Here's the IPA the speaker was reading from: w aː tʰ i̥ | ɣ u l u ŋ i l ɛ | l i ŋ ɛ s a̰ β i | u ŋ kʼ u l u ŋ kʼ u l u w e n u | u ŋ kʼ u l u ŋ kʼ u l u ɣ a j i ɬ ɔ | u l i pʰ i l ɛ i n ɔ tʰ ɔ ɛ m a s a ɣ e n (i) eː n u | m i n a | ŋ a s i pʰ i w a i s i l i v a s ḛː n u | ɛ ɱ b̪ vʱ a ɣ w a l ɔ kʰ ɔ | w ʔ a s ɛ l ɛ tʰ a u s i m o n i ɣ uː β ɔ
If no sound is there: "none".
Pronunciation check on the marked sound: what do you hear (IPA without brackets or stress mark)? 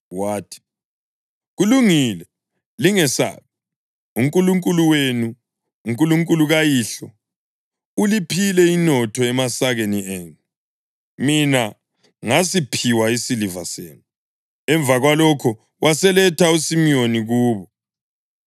i